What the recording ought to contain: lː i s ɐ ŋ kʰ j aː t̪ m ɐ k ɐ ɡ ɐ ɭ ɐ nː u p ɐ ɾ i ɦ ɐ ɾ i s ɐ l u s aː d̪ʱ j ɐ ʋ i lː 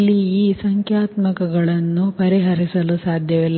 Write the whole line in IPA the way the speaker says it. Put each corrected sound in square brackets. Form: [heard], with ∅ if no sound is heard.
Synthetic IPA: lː [iː] s ɐ ŋ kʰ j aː t̪ m ɐ k ɐ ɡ ɐ ɭ ɐ nː u p ɐ ɾ i ɦ ɐ ɾ i s ɐ l u s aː d̪ʱ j ɐ ʋ i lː